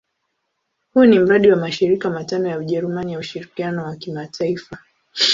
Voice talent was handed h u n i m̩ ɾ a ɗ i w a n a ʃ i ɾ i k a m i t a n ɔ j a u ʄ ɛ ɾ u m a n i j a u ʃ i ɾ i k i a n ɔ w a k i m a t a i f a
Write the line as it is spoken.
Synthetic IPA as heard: h u n i m̩ ɾ a ɗ i w a m a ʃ i ɾ i k a m a t a n ɔ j a u ʄ ɛ ɾ u m a n i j a u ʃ i ɾ i k i a n ɔ w a k i m a t a i f a